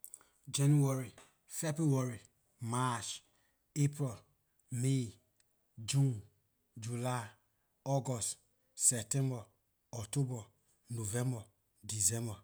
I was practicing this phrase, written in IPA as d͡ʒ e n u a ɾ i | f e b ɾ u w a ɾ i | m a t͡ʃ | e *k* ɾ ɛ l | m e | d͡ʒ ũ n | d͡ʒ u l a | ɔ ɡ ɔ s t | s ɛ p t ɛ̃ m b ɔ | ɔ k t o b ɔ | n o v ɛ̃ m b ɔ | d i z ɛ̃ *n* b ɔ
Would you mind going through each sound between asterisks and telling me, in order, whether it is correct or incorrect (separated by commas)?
incorrect, incorrect